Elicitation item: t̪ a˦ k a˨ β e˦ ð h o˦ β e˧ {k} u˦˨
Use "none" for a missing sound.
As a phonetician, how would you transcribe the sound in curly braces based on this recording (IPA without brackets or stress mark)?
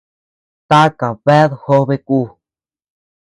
k